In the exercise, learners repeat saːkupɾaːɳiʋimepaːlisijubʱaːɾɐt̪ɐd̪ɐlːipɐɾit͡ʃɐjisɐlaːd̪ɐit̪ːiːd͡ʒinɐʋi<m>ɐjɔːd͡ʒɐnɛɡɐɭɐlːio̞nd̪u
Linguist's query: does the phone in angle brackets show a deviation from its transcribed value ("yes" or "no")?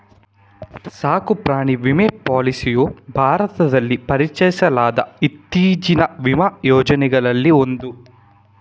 no